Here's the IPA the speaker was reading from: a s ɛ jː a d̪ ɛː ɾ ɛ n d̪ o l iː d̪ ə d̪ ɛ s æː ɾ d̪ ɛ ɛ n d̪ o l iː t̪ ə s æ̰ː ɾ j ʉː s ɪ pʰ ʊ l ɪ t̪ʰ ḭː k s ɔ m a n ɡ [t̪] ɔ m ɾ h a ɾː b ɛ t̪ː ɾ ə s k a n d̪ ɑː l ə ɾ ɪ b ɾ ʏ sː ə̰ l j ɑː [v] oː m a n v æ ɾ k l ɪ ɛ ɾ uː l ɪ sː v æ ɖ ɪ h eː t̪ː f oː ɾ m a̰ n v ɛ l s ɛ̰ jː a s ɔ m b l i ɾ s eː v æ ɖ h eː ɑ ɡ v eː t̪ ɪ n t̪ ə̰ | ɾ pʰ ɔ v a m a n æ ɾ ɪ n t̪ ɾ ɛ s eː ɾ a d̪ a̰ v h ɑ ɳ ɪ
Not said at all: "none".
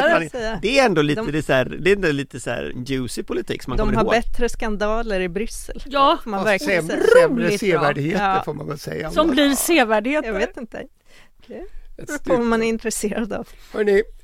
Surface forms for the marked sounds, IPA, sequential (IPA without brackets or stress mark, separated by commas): d̪, f